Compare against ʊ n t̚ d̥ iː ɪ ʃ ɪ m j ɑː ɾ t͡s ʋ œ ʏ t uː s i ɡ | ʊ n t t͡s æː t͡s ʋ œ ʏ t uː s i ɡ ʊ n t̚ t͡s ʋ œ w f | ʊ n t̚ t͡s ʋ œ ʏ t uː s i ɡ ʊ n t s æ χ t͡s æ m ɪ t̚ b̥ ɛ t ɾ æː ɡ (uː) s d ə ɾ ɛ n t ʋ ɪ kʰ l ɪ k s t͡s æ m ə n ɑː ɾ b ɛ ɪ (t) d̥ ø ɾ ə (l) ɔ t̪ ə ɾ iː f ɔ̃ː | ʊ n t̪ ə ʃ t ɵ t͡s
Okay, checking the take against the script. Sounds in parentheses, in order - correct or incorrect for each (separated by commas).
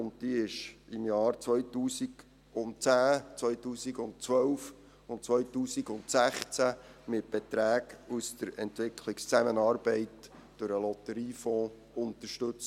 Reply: incorrect, correct, correct